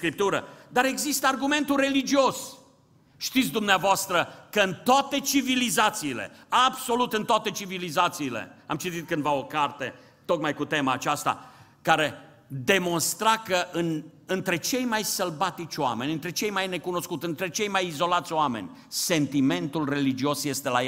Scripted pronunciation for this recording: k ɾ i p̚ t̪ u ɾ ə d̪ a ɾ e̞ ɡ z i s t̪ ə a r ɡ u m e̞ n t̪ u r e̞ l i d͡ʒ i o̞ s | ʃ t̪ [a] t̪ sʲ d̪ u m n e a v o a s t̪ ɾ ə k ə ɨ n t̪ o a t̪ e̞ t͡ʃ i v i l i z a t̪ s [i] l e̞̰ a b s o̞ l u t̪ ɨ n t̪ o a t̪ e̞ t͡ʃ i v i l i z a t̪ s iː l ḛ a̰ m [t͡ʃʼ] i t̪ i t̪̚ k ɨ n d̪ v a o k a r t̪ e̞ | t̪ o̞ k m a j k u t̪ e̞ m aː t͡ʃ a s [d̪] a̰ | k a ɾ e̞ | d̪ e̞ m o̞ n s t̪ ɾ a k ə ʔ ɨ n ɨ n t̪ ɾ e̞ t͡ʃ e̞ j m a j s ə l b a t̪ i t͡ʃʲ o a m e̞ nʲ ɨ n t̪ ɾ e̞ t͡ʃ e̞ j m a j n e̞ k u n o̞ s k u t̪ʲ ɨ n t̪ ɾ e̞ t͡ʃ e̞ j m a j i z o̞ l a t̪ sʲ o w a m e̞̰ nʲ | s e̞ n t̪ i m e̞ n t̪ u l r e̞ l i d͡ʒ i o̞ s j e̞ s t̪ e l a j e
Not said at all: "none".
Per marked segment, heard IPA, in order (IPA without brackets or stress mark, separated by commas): i, iː, t͡ʃ, t̪